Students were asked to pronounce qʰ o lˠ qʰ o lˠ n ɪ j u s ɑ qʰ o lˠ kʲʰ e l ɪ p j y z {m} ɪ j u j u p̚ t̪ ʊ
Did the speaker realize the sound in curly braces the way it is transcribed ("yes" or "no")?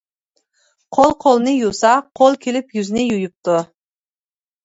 no